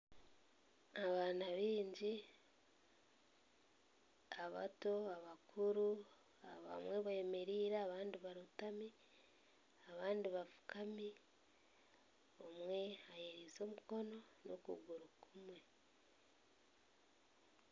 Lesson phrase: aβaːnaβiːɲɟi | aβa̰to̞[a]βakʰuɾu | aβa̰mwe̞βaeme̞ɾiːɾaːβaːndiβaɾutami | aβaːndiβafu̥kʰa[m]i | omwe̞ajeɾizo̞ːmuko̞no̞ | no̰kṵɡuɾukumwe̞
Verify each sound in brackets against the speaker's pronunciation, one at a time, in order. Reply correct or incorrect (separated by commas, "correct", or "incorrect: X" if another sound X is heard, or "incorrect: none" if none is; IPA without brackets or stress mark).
correct, correct